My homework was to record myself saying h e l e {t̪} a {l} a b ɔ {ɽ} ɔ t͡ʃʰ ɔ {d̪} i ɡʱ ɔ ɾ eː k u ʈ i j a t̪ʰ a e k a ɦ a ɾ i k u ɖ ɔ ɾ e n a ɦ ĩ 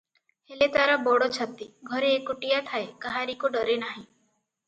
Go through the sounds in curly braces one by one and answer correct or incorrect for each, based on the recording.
correct, incorrect: ɾ, correct, incorrect: t̪

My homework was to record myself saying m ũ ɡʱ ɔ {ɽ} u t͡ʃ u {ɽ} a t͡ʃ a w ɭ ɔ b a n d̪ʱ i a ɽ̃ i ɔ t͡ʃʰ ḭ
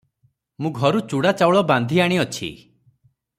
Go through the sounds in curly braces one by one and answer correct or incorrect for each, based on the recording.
incorrect: ɾ, correct

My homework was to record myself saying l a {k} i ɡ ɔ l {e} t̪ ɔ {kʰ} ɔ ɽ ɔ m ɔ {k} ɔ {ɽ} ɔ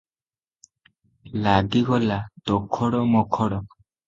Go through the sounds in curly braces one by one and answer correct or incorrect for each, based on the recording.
incorrect: ɡ, incorrect: a, correct, incorrect: kʰ, correct

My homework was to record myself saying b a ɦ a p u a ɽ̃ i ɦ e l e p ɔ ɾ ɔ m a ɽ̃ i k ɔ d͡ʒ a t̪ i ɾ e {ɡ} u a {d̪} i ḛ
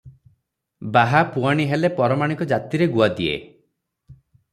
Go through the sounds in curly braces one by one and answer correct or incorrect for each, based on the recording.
correct, correct

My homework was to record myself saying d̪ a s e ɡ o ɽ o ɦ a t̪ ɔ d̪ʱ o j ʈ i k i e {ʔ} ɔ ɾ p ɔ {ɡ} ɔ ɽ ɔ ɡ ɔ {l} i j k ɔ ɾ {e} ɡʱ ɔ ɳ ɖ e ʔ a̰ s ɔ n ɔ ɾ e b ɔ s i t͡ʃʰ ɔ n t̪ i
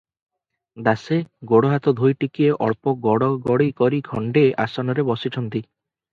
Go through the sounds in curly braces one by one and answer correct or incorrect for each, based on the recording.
correct, correct, incorrect: ɽ, incorrect: i

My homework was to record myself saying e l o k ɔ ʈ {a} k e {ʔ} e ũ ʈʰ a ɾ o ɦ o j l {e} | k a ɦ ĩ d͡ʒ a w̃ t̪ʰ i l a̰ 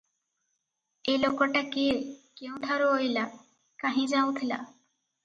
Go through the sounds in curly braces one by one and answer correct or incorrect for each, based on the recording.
correct, incorrect: k, incorrect: a

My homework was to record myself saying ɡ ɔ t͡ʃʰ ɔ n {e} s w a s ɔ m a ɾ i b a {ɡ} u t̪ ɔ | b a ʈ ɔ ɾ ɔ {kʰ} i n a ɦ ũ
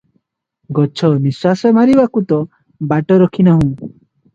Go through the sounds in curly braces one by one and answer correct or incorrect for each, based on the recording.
incorrect: i, incorrect: k, correct

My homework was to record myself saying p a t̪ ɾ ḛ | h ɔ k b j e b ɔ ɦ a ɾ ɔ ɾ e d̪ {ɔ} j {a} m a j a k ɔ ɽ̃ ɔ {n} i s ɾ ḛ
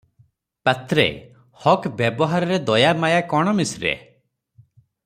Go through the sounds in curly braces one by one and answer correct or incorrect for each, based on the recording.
correct, correct, incorrect: m

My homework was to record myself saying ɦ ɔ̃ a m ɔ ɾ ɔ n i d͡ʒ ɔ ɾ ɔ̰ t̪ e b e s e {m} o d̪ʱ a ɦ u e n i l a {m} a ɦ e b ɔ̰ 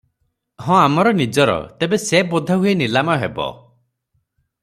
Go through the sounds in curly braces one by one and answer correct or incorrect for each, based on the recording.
incorrect: b, correct

